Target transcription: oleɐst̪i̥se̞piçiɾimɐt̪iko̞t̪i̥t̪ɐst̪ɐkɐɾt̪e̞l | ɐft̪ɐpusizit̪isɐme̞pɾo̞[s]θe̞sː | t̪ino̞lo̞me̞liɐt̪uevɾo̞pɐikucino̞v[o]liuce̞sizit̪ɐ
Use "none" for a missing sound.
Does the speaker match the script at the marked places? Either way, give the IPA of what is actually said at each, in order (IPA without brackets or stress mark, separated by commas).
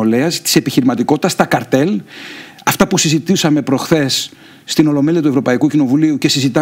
x, u